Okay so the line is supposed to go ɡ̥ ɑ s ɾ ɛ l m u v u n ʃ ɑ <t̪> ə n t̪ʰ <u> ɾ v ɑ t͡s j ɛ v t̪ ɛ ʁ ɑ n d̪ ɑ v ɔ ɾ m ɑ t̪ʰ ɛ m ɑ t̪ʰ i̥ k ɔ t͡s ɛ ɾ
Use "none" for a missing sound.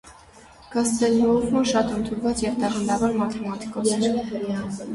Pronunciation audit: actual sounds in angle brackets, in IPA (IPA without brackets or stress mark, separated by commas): t̪, u